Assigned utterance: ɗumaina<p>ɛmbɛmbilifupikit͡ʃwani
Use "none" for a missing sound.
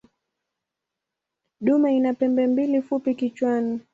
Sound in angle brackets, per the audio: p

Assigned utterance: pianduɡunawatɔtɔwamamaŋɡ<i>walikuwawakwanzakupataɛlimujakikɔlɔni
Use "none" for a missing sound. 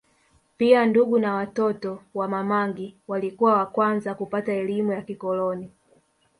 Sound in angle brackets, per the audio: i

